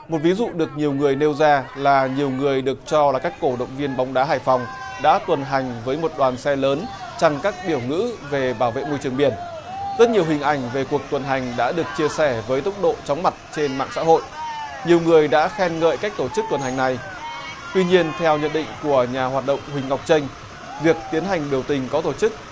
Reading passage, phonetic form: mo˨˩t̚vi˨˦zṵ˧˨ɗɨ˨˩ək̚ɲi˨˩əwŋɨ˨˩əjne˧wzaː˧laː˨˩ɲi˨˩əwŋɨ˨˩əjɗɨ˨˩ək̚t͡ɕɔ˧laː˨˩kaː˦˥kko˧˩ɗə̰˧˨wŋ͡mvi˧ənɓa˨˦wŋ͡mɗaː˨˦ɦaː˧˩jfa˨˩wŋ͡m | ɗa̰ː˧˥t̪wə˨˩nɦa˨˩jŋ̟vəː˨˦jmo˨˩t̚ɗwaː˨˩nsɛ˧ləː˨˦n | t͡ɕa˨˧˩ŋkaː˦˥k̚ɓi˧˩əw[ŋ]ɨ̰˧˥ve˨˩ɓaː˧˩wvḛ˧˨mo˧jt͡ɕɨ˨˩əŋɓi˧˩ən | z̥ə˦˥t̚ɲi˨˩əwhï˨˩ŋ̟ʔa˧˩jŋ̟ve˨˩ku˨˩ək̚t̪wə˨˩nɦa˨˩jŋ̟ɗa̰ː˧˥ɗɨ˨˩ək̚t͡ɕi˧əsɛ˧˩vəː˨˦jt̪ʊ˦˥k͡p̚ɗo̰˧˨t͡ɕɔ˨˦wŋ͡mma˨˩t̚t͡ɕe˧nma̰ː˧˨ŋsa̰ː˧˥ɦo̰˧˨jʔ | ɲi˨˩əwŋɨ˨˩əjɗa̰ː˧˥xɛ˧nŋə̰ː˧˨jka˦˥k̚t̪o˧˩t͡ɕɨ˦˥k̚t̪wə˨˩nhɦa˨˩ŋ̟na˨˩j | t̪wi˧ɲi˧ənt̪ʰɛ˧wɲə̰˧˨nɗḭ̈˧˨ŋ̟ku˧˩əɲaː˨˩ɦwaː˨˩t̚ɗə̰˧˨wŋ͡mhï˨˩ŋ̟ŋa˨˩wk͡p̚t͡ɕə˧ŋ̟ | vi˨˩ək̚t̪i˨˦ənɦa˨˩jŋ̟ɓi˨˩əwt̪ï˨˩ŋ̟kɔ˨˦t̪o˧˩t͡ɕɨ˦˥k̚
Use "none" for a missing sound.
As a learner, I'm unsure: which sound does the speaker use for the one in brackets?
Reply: ŋ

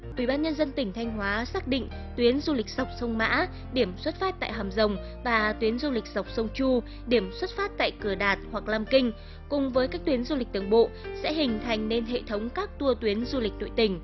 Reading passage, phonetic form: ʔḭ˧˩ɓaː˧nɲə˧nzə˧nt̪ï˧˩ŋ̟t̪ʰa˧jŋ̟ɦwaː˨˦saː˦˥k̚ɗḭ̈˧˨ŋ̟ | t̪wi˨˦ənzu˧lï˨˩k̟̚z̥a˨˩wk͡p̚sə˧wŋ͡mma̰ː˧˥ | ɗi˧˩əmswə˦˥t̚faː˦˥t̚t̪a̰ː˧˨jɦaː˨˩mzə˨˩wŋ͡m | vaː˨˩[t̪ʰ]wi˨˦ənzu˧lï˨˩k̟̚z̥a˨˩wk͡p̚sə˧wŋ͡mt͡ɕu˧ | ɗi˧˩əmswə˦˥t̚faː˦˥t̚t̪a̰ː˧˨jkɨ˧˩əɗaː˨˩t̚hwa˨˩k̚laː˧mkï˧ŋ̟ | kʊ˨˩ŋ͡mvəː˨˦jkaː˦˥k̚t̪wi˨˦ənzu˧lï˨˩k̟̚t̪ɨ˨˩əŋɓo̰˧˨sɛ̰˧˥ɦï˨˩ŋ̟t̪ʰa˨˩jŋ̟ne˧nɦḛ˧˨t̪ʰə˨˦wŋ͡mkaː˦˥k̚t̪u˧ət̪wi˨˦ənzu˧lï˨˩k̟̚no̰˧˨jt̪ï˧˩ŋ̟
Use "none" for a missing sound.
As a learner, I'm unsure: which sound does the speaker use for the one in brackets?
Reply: t̪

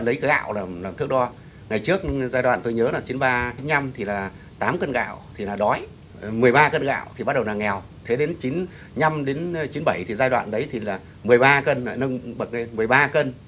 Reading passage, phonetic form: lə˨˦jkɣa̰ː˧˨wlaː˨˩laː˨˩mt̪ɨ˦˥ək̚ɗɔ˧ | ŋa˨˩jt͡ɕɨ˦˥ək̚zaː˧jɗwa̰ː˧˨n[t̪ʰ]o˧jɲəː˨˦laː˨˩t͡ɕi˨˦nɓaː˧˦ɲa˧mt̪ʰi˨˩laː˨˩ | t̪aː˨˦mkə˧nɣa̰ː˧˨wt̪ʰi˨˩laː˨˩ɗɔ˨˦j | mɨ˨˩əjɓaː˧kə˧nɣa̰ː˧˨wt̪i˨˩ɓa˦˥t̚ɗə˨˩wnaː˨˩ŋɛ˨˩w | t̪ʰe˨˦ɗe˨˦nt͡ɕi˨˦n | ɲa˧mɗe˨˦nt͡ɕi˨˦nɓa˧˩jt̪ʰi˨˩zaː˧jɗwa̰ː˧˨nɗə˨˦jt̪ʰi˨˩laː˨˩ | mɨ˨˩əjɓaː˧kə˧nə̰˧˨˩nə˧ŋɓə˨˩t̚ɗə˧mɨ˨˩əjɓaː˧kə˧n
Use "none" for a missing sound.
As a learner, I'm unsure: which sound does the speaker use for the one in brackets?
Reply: t̪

